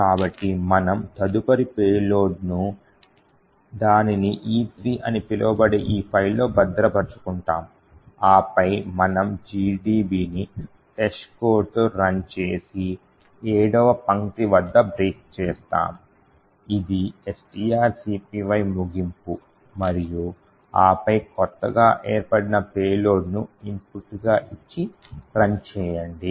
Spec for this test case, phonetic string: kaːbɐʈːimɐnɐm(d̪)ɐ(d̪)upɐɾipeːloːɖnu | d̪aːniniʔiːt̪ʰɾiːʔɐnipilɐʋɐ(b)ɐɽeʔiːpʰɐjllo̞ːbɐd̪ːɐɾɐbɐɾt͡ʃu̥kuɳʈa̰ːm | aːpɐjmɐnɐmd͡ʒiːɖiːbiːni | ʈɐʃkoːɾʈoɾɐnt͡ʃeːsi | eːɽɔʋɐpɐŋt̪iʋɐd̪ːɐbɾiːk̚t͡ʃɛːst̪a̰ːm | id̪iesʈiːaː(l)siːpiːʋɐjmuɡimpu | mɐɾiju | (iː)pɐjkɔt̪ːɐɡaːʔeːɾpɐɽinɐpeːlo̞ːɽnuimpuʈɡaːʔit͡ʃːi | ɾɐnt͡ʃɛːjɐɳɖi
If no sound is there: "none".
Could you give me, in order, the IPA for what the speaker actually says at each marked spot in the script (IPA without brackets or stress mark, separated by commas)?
t̪, d̪, b, ɾ, aː